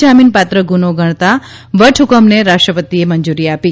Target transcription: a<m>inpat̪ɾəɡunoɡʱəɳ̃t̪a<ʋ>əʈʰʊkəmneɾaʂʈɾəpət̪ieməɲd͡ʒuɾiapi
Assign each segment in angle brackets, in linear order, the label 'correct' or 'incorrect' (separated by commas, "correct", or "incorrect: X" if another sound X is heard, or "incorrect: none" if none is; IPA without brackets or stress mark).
correct, correct